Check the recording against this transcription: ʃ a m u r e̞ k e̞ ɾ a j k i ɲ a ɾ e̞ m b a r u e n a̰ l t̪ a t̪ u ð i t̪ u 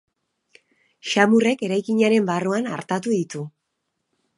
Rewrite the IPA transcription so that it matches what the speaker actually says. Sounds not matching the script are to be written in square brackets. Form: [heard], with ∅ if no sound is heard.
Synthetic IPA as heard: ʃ a m u r e̞ k e̞ ɾ a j k i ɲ a ɾ e̞ m b a r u [a] n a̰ [ɾ] t̪ a t̪ u ð i t̪ u